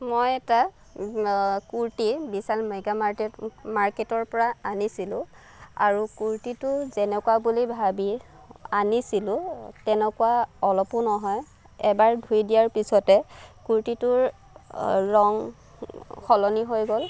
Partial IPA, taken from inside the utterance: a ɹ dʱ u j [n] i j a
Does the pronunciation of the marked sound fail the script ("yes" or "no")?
yes